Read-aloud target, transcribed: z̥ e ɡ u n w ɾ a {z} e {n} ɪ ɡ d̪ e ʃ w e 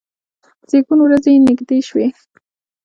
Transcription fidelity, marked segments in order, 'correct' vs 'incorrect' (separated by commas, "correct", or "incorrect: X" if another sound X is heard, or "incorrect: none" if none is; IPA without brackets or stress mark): correct, correct